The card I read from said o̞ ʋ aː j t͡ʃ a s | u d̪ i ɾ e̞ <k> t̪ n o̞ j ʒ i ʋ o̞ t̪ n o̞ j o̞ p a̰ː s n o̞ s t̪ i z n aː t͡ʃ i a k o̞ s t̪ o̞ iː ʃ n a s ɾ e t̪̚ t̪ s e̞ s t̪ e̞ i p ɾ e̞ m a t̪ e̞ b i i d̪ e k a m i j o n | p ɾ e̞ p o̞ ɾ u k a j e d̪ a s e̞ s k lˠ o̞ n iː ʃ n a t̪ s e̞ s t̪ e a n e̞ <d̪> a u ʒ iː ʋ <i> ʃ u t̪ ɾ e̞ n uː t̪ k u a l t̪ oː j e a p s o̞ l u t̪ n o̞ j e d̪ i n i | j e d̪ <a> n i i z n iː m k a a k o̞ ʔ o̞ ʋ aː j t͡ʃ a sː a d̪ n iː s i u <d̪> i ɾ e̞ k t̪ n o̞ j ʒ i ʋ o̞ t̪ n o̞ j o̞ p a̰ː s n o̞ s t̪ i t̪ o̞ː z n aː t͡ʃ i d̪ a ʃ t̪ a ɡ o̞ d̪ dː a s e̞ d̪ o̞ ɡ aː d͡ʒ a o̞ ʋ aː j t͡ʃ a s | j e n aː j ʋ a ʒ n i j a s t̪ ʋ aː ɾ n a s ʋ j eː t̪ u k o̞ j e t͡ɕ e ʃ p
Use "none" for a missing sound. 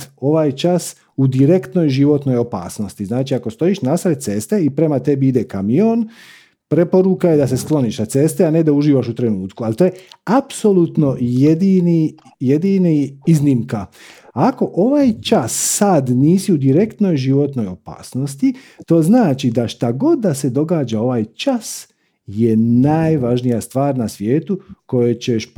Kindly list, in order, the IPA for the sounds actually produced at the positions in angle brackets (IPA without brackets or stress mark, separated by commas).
k, d̪, a, i, d̪